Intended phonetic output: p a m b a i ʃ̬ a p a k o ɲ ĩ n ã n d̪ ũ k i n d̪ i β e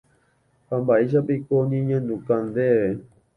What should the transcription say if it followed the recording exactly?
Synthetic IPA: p a m b a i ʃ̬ a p i k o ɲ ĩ ɲ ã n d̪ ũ k a n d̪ e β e